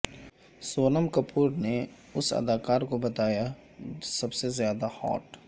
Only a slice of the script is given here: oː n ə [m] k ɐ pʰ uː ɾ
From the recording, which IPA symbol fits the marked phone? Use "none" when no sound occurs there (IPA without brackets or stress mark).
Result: m